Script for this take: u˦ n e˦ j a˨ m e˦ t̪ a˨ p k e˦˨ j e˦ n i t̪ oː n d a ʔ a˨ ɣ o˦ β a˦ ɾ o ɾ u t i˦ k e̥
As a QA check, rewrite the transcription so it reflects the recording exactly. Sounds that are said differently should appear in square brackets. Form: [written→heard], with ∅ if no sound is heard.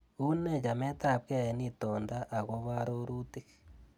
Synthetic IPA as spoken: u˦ n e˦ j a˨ m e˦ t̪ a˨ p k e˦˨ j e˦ n i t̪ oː n d a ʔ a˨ ɣ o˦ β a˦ ɾ o ɾ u t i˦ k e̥